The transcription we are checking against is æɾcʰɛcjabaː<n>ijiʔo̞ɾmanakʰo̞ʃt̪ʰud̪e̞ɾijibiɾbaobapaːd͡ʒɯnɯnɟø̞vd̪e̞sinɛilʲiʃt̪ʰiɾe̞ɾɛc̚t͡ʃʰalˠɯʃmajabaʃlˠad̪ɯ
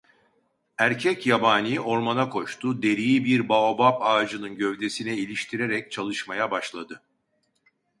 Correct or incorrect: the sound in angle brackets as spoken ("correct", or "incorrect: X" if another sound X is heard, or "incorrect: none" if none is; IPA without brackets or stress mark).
correct